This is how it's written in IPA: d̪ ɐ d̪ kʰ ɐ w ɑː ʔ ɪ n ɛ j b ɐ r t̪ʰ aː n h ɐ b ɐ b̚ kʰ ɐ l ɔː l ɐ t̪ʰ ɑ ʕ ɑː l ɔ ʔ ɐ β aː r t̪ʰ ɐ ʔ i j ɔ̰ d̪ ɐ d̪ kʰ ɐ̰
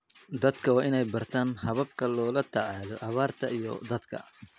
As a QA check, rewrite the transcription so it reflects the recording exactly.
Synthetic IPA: d̪ ɐ d̪ kʰ ɐ w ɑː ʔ ɪ n ɛ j b ɐ r t̪ʰ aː n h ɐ β ɐ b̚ kʰ ɐ l ɔː l ɐ t̪ʰ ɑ ʕ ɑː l ɔ ʔ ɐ β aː r t̪ʰ ɐ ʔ i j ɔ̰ d̪ ɐ d̪ kʰ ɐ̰